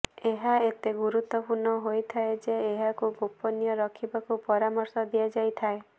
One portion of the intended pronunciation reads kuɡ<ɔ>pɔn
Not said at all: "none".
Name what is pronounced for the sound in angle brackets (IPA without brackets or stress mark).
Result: o